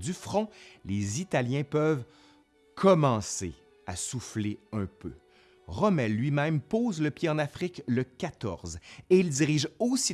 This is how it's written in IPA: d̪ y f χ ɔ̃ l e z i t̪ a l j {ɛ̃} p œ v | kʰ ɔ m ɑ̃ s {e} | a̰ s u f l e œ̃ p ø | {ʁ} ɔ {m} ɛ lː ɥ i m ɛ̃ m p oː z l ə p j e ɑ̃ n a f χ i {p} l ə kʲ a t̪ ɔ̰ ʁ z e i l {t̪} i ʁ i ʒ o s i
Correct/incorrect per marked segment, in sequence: correct, correct, correct, correct, incorrect: k, incorrect: d̪

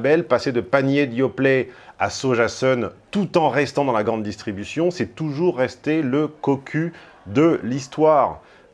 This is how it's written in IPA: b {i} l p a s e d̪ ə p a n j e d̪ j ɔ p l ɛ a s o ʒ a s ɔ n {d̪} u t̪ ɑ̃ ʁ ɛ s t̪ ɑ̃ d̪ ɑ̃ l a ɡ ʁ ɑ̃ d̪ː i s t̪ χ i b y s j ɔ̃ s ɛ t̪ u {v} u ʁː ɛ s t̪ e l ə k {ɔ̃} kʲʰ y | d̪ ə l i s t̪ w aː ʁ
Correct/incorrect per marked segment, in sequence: incorrect: ɛ, incorrect: t̪, incorrect: ʒ, incorrect: ɔ

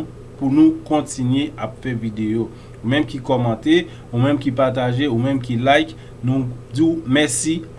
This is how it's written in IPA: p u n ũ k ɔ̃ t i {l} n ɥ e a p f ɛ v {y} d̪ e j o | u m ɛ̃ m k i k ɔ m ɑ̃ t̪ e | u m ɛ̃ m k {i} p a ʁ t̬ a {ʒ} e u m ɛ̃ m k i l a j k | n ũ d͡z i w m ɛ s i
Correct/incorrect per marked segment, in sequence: incorrect: none, incorrect: i, correct, correct

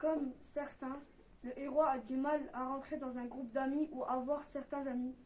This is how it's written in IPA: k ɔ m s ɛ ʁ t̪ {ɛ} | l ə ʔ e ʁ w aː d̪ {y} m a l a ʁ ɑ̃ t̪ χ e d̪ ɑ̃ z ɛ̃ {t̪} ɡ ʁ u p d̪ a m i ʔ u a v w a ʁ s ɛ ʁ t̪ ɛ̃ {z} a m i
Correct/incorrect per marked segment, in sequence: incorrect: ɛ̃, correct, incorrect: none, correct

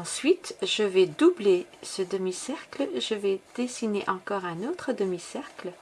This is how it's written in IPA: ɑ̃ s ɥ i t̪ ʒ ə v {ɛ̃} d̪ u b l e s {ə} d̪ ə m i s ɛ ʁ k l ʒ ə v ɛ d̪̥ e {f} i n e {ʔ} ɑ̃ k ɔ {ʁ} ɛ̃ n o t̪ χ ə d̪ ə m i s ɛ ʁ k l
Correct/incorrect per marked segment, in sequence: incorrect: ɛ, correct, incorrect: s, correct, correct

